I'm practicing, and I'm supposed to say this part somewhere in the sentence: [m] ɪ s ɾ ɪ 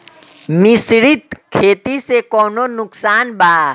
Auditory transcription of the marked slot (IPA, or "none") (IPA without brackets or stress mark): m